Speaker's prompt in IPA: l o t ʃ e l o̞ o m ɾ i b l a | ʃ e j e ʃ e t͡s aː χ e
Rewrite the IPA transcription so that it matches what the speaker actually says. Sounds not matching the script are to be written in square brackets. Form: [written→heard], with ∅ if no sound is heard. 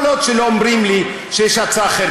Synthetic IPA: l o t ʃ e l o̞ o m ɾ i [b→m] l [a→i] | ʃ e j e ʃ [e→a] t͡s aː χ e